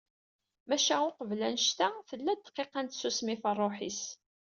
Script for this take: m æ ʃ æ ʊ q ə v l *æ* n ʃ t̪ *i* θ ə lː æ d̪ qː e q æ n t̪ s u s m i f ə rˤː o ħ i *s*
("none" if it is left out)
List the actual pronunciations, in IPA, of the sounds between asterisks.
æ, æ, s

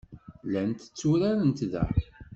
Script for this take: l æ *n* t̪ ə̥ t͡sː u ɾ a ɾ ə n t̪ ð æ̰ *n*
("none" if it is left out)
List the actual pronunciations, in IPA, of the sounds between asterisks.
n, none

